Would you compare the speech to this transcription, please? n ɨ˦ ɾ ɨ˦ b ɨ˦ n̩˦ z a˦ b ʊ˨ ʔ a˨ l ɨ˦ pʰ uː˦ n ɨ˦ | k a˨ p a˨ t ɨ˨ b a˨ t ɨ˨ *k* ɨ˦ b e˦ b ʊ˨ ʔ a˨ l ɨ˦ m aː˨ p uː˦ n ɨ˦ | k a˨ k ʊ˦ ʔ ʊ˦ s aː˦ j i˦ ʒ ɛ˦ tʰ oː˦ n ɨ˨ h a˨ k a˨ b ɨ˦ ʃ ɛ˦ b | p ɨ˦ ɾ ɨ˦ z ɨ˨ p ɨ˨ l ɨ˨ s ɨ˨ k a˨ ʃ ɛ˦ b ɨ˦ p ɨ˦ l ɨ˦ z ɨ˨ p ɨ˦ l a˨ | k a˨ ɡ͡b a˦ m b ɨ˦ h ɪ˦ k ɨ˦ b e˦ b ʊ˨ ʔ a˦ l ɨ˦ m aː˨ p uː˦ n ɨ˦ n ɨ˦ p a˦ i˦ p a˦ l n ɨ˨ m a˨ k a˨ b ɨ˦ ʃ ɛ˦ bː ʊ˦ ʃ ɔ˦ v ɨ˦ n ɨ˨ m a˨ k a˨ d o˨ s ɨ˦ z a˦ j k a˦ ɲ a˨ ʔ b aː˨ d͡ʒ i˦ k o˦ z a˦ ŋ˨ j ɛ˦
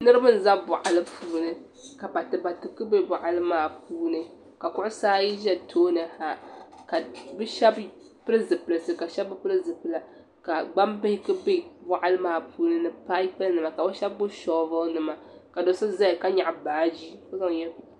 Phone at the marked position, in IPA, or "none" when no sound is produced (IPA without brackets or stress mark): k